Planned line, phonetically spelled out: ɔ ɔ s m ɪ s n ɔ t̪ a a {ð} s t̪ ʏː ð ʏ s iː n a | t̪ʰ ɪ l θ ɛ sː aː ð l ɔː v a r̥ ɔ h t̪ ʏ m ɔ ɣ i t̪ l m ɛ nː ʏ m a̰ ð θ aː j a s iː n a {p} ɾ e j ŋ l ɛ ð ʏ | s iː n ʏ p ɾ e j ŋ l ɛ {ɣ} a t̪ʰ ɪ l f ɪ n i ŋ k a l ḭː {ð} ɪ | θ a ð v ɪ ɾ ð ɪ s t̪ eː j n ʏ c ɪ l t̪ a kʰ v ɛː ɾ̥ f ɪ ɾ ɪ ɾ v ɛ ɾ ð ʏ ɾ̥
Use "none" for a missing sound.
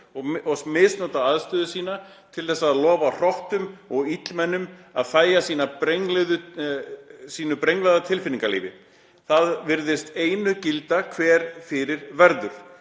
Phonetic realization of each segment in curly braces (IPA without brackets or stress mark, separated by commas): ð, p, ð, v